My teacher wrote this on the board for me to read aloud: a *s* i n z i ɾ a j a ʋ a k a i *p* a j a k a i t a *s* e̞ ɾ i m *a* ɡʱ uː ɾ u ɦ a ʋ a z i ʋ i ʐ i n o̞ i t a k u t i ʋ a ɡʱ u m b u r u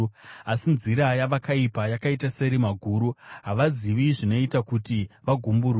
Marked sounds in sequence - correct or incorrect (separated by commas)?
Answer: correct, correct, correct, correct